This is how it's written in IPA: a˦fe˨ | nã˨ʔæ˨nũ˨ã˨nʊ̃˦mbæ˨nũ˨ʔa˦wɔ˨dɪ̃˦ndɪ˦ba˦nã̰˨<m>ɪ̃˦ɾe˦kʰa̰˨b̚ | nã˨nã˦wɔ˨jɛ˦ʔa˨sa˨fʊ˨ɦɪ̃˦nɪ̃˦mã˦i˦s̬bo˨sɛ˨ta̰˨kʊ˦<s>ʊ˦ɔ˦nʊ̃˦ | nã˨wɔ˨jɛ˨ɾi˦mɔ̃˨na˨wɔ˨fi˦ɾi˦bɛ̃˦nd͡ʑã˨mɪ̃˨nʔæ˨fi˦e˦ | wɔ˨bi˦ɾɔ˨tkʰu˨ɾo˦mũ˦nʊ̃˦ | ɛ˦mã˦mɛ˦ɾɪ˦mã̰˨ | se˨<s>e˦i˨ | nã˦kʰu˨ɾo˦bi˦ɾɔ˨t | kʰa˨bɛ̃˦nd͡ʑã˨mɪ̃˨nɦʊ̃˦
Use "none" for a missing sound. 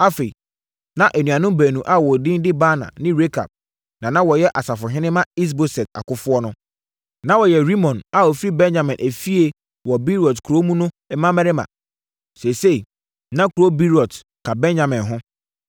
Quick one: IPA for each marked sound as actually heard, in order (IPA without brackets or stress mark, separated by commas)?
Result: n, f, s